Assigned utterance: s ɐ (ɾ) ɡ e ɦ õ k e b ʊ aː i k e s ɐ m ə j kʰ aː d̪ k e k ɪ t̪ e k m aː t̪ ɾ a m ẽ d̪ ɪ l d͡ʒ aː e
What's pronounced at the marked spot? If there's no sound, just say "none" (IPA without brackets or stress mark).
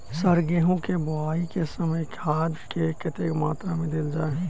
ɾ